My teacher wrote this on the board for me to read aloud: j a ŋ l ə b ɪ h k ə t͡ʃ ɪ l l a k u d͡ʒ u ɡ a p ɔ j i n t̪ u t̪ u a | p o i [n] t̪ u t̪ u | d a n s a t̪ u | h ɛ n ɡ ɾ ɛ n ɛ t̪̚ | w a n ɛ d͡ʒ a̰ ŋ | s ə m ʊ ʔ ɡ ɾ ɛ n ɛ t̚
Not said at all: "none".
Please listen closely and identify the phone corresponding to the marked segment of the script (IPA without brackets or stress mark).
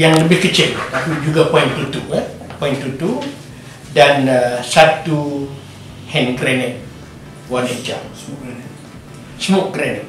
n